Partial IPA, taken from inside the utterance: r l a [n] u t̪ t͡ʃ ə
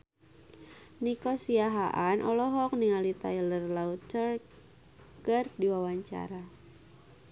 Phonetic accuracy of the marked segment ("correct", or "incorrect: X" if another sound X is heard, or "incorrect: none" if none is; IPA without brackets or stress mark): incorrect: none